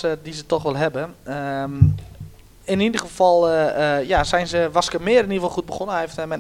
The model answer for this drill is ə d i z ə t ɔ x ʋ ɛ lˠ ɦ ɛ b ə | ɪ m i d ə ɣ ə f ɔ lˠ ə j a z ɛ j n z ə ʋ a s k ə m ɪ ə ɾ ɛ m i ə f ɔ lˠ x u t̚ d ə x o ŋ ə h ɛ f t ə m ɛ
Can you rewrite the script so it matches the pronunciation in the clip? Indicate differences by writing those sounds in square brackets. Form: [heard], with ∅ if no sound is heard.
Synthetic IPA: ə d i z ə t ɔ x ʋ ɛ lˠ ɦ ɛ b ə | ɪ [n] i d ə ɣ ə f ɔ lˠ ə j a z ɛ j n z ə ʋ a s k ə m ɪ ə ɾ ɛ [n] i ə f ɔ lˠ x u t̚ [b] ə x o [n] ə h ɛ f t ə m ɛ